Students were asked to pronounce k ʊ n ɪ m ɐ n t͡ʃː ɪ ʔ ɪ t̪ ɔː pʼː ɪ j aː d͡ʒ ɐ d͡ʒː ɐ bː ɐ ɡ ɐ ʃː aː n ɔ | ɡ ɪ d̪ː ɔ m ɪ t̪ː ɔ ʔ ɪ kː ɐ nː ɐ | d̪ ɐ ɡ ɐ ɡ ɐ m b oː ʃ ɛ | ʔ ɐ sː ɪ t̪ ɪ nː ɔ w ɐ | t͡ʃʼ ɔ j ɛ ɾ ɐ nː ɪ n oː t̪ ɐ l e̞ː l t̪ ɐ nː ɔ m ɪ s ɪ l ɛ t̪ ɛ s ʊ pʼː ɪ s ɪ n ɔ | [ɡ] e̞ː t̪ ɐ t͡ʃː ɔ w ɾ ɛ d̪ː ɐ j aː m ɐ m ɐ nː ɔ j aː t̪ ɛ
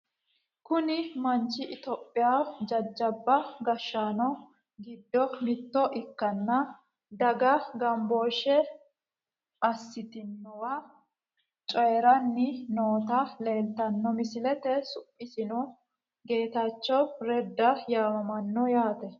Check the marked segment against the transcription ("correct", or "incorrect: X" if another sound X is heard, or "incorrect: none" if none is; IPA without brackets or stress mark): correct